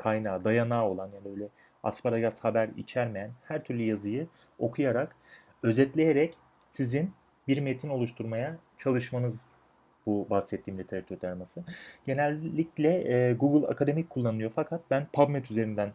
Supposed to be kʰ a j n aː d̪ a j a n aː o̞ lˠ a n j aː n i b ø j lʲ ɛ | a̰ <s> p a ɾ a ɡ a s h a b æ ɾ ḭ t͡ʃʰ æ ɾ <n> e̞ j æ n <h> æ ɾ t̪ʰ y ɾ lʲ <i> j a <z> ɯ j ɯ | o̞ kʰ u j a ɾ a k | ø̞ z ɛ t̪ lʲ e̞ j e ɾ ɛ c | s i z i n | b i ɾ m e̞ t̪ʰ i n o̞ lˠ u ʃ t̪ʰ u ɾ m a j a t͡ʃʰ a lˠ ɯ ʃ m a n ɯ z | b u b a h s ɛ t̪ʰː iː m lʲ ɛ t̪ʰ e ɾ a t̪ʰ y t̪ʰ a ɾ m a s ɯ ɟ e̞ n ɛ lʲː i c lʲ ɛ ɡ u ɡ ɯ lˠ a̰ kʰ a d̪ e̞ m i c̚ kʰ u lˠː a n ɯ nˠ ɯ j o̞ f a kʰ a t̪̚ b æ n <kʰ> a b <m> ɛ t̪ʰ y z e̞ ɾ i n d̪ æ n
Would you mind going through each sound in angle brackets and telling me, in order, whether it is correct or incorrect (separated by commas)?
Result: correct, incorrect, correct, incorrect, correct, incorrect, correct